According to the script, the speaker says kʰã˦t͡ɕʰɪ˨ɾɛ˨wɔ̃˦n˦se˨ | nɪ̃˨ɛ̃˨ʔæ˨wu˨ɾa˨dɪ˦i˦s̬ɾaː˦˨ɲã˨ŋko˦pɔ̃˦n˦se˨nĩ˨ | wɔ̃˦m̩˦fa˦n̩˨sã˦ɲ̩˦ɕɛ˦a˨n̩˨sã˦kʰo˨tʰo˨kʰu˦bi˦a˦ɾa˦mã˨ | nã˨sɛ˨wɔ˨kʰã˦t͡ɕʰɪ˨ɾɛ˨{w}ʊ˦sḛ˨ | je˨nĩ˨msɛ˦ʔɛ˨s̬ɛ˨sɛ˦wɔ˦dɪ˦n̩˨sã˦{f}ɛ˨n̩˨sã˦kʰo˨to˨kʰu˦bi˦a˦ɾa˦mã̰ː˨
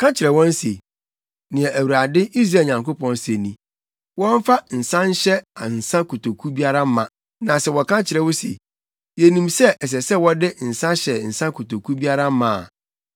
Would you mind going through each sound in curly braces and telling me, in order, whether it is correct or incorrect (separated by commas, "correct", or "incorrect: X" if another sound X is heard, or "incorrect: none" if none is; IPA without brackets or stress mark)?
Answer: correct, incorrect: ɕ